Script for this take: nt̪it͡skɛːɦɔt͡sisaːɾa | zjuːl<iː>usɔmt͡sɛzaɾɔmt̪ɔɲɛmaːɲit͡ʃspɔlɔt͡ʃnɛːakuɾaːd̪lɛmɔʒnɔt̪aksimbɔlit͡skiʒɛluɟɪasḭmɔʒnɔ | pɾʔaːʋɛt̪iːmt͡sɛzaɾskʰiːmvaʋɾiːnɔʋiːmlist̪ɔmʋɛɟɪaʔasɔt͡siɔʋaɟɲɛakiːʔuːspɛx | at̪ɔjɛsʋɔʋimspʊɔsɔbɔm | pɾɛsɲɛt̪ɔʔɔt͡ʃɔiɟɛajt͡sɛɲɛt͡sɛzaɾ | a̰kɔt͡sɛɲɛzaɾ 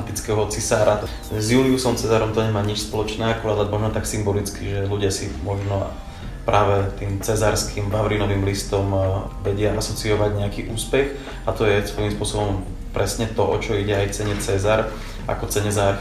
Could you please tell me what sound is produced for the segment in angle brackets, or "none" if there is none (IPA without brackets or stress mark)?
i